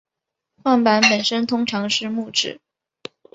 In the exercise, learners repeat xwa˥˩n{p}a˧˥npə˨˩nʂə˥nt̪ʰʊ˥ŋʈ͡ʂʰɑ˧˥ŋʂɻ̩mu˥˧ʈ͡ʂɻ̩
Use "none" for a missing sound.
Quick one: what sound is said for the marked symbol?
p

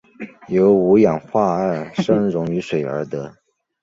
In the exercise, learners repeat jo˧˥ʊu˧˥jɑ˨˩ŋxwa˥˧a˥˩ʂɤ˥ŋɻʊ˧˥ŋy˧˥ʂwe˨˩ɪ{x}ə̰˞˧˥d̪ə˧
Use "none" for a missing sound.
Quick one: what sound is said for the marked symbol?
none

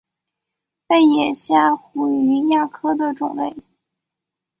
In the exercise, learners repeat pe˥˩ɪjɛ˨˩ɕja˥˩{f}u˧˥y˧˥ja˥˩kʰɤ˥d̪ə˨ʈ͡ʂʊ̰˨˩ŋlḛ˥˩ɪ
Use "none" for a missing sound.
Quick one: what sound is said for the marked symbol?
x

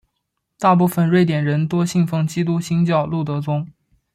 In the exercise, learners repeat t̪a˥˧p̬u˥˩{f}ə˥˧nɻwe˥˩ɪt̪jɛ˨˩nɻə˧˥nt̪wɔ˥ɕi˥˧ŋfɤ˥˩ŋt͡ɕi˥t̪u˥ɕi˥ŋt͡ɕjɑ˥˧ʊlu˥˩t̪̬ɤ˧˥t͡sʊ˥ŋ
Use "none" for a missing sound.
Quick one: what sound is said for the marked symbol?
f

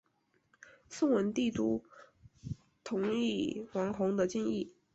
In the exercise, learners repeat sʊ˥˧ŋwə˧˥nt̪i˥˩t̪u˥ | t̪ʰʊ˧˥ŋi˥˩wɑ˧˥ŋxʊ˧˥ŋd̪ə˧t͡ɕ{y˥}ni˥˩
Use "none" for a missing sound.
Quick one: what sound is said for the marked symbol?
i˥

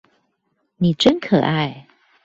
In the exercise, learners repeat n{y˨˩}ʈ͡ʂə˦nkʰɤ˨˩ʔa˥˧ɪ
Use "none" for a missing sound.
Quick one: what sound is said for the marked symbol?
i˨˩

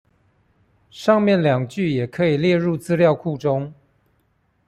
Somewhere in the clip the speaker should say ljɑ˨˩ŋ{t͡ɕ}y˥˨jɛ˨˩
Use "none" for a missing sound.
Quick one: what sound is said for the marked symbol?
t͡ɕ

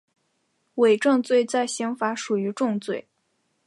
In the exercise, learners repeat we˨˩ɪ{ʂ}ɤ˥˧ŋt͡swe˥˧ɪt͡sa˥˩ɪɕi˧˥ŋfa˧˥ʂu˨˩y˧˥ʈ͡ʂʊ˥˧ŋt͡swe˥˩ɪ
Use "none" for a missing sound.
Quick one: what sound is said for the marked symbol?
ʈ͡ʂ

